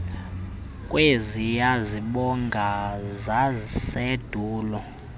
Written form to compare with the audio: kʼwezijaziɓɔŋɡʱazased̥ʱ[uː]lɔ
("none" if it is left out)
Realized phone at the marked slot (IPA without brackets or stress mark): uː